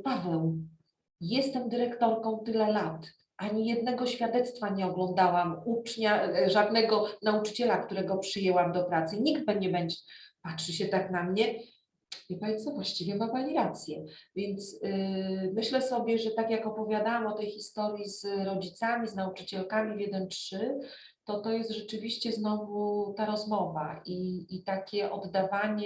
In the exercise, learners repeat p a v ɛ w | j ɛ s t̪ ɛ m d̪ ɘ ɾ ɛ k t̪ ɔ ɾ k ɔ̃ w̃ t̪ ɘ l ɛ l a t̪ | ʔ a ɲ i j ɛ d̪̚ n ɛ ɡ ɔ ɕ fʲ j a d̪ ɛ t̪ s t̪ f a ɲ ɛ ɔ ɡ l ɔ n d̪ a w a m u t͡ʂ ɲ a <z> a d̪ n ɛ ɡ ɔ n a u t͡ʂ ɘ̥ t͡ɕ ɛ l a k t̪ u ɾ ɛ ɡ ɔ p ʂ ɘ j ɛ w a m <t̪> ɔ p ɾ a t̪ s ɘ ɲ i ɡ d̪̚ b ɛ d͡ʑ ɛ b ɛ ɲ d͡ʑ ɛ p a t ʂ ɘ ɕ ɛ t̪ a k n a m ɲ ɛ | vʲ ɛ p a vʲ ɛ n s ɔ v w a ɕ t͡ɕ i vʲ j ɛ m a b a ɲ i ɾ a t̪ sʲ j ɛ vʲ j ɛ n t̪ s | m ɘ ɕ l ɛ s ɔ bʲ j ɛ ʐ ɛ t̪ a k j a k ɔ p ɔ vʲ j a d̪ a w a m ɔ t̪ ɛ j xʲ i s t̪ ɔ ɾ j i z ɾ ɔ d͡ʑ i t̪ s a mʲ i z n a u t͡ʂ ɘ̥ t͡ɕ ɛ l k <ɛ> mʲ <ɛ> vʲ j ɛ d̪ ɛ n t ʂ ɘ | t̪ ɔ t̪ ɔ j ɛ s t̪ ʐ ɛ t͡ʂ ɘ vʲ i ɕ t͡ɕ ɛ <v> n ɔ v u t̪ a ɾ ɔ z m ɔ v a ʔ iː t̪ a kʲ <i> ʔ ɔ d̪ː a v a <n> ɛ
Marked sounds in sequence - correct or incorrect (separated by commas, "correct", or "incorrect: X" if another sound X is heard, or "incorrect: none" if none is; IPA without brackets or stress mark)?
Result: incorrect: ʐ, incorrect: d̪, incorrect: a, incorrect: i, incorrect: z, incorrect: ɛ, incorrect: ɲ